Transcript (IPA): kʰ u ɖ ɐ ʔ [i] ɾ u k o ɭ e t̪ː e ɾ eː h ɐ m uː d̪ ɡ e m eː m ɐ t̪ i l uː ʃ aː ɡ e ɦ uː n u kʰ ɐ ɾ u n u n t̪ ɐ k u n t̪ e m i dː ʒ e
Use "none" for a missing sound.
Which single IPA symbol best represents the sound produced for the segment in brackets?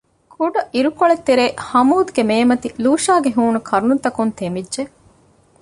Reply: i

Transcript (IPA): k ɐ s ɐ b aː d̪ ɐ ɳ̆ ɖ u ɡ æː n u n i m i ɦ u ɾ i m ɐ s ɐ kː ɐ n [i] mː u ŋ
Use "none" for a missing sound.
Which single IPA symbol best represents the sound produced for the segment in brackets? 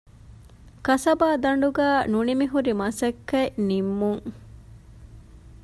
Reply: i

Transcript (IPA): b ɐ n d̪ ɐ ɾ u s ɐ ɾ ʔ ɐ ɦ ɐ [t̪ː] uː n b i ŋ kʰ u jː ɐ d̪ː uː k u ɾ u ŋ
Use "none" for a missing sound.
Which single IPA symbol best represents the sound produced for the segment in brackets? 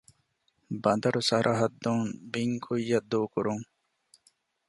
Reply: d̪ː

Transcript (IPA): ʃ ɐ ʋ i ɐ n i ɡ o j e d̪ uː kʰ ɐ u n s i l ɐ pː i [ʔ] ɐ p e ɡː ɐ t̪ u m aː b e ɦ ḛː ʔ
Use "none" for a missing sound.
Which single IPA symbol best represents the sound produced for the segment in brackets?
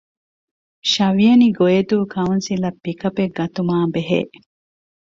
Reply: k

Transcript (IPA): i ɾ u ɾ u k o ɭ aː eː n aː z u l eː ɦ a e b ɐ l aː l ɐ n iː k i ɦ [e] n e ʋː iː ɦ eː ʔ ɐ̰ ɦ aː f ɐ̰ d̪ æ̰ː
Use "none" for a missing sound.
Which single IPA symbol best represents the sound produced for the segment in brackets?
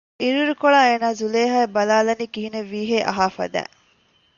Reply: i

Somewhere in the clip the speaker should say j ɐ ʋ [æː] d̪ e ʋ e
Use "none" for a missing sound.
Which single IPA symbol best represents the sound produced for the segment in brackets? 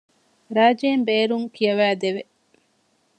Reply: æː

